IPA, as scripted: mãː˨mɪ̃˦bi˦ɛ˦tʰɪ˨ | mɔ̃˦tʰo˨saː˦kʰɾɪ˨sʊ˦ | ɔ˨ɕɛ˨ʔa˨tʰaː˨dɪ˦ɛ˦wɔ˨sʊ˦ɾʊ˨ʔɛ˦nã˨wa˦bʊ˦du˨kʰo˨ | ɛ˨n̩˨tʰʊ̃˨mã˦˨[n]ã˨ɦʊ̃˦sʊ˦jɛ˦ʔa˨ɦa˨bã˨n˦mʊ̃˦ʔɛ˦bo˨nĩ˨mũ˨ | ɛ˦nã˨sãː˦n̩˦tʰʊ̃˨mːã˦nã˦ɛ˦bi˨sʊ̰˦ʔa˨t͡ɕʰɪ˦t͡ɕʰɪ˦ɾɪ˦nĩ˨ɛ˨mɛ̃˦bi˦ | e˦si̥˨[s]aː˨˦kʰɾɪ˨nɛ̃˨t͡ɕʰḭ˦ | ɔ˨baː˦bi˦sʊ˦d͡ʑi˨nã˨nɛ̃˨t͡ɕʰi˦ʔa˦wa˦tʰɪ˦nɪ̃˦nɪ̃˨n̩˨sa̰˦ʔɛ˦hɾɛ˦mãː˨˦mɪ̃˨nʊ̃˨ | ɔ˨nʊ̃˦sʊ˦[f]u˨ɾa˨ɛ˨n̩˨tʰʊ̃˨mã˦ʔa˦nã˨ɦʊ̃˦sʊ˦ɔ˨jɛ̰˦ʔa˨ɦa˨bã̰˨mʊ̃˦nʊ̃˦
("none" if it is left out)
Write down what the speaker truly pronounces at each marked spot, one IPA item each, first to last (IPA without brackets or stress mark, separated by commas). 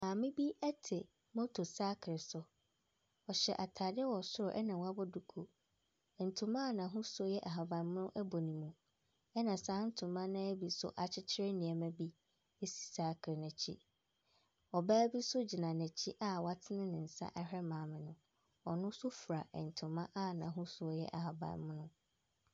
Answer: n, s, f